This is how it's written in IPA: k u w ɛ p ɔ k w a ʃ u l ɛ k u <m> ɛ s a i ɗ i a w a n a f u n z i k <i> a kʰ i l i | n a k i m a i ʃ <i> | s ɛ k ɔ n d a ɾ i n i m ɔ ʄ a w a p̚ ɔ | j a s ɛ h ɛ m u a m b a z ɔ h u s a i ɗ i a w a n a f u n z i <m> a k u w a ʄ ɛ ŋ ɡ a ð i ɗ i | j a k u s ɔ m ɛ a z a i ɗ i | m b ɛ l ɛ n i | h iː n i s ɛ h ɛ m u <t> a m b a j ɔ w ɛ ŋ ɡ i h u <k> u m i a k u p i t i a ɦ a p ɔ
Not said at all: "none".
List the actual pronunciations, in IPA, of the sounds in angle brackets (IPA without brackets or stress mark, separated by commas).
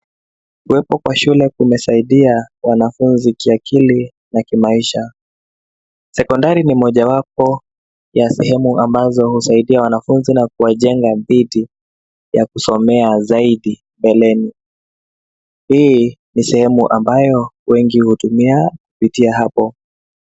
m, i, a, n, ʔ, t